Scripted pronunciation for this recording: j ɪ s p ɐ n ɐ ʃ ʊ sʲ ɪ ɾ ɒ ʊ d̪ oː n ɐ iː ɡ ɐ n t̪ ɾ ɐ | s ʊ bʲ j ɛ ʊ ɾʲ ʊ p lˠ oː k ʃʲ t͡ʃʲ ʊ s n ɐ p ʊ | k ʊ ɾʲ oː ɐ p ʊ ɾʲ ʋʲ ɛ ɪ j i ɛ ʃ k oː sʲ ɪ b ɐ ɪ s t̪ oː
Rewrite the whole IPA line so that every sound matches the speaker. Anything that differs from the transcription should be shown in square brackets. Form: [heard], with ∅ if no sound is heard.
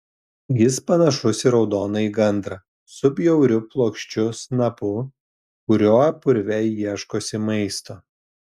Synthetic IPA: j ɪ s p ɐ n ɐ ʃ ʊ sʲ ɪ ɾ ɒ ʊ d̪ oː n ɐ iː ɡ ɐ n [d̪] ɾ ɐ | s ʊ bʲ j ɛ ʊ ɾʲ ʊ p lˠ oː k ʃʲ t͡ʃʲ ʊ s n ɐ p ʊ | k ʊ ɾʲ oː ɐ p ʊ ɾʲ ʋʲ ɛ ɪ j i ɛ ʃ k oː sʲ ɪ [m] ɐ ɪ s t̪ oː